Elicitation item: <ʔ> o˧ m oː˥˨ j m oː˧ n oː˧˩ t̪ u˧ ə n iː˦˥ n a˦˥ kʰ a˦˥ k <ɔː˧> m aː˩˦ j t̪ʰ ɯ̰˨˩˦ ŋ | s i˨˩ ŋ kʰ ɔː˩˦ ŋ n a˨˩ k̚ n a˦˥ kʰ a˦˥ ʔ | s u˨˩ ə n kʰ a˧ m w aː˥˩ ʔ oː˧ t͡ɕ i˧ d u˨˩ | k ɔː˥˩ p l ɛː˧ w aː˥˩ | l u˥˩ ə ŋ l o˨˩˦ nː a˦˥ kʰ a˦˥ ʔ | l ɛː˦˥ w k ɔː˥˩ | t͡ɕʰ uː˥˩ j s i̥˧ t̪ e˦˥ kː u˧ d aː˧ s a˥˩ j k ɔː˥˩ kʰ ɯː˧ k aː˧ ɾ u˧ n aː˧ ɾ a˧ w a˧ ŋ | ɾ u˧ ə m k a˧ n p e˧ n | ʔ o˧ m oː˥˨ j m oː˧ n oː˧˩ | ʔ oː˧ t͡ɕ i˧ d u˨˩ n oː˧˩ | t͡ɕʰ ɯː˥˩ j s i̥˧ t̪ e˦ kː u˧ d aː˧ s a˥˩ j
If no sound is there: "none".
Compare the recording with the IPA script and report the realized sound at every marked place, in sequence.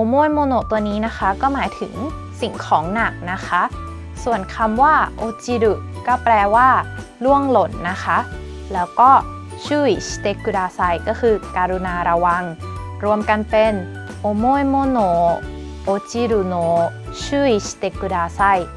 ʔ, ɔː˥˩

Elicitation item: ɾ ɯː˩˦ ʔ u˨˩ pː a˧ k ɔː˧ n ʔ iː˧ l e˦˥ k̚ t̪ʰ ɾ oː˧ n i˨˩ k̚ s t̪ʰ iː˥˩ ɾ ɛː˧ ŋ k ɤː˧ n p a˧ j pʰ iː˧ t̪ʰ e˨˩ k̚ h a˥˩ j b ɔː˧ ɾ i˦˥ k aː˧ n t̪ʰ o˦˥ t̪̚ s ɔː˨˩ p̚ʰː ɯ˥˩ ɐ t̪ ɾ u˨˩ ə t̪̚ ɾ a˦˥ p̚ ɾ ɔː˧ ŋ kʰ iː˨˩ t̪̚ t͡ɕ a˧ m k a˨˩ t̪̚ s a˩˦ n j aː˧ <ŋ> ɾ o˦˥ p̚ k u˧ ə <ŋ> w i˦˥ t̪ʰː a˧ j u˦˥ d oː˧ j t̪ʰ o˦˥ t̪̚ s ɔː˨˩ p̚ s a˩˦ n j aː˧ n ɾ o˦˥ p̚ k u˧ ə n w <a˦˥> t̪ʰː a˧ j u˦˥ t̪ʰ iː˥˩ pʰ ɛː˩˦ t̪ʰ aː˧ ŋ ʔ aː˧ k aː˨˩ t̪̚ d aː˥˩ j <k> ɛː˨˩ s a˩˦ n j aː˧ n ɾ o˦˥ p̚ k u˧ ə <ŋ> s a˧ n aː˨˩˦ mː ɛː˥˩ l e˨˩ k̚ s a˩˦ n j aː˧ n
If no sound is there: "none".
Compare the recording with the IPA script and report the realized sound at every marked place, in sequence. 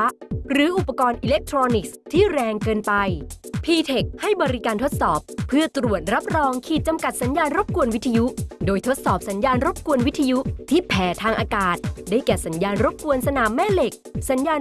n, n, i˦˥, k, n

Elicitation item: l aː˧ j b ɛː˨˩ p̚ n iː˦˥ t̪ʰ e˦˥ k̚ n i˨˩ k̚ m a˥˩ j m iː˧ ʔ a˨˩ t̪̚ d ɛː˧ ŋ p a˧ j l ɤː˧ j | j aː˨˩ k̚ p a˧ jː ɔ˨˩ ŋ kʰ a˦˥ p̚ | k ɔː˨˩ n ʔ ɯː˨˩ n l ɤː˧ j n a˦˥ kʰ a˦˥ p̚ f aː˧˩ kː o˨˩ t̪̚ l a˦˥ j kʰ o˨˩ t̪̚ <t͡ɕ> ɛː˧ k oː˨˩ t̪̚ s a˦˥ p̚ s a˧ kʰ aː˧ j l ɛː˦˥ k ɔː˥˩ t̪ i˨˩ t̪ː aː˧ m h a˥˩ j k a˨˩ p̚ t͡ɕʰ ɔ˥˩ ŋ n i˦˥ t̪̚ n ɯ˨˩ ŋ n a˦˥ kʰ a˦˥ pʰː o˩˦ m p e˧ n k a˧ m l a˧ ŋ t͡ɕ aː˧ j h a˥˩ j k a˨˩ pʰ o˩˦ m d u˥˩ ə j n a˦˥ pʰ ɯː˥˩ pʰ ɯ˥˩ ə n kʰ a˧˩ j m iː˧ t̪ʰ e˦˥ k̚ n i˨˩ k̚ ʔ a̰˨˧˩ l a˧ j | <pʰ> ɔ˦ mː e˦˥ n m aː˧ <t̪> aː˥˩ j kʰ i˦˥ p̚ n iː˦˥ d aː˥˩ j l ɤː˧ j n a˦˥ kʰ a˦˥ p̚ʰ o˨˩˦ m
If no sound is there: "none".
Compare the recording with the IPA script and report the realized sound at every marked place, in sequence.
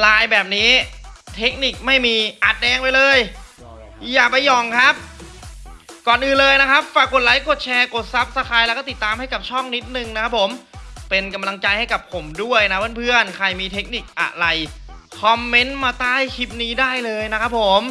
t͡ɕʰ, kʰ, t̪

